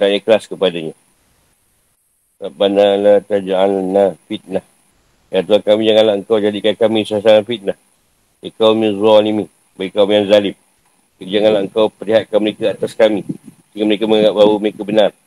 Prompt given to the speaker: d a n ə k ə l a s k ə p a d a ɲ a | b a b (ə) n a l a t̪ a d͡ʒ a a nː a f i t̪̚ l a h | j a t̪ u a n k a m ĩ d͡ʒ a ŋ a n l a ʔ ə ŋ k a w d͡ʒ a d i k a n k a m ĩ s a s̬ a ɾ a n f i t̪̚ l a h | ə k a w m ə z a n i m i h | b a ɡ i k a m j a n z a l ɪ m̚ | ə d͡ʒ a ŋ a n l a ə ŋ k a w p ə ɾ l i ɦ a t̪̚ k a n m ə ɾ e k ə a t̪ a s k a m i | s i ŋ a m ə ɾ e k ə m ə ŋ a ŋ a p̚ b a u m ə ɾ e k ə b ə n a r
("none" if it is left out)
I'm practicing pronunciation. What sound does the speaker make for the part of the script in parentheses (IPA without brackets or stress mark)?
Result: a